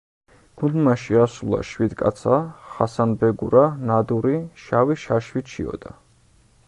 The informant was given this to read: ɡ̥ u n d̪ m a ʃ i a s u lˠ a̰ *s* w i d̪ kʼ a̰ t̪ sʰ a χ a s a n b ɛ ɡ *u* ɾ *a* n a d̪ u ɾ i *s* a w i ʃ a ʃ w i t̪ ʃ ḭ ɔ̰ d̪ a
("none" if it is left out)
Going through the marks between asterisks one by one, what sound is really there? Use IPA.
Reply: ʃ, u, a, ʃ

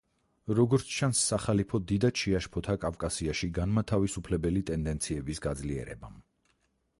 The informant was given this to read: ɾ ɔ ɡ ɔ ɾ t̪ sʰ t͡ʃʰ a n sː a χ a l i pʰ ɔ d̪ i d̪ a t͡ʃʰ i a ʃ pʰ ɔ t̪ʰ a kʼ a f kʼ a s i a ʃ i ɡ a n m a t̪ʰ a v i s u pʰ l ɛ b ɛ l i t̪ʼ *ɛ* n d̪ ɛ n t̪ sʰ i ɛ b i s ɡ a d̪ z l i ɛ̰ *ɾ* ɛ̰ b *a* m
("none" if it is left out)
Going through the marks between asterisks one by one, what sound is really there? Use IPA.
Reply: ɛ, ɾ, a

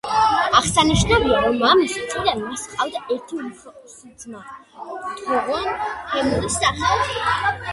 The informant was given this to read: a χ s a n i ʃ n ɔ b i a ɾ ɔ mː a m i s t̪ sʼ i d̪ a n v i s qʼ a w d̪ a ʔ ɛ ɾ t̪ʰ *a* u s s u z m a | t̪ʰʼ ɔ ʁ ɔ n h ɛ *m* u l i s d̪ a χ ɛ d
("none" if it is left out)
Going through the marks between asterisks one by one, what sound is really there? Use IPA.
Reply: i, m

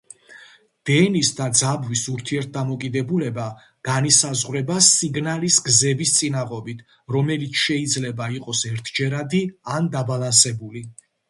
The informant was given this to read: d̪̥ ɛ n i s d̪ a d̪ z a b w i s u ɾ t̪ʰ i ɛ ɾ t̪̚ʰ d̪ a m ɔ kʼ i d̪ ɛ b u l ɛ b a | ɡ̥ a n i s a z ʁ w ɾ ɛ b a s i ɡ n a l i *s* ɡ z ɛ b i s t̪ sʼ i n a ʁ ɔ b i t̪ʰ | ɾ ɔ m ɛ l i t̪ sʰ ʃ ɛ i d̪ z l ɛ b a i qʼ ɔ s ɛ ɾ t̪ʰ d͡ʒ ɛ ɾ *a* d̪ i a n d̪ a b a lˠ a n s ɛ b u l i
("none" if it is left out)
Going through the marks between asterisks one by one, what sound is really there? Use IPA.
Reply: s, a

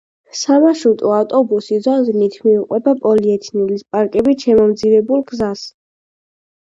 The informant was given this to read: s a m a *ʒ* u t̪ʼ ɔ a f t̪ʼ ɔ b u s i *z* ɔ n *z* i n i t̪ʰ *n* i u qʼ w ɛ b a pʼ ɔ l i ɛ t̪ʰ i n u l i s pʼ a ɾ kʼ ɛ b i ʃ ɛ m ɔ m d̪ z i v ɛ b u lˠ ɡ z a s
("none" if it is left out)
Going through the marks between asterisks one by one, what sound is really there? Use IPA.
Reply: ʃ, z, z, m

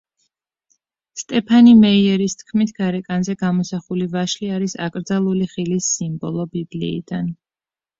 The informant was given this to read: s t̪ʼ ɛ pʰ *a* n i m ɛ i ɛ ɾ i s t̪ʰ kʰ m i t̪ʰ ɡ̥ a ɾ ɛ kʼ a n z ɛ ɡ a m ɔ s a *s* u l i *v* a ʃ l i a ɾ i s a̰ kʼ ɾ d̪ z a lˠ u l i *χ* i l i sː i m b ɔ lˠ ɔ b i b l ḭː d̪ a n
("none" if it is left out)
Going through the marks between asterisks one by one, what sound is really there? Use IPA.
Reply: a, χ, v, χ

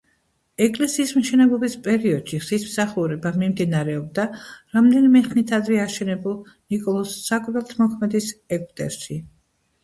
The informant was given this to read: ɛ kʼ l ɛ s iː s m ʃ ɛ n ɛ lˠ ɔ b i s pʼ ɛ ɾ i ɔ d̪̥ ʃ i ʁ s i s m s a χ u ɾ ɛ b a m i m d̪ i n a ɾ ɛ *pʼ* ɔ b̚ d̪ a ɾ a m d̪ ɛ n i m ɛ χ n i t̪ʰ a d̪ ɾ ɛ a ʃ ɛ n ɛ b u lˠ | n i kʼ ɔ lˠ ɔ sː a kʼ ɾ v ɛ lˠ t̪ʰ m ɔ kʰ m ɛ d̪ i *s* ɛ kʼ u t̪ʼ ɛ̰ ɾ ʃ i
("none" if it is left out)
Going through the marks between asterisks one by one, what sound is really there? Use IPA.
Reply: none, s

